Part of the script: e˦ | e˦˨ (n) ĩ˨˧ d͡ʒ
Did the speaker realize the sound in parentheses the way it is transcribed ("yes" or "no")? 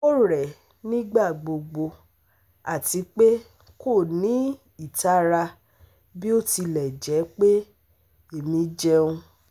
no